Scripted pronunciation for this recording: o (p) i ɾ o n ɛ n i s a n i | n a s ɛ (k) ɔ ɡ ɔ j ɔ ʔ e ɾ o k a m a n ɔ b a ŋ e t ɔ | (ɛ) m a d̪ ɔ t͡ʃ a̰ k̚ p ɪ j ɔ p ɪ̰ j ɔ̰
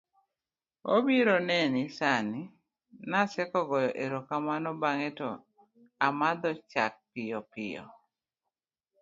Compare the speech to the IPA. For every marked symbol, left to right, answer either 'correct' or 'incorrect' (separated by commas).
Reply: incorrect, correct, incorrect